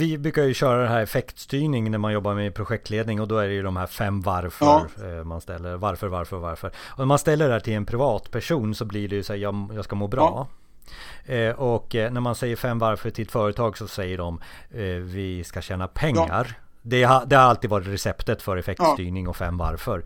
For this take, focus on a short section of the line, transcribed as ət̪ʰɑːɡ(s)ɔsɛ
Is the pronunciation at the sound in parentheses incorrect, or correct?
correct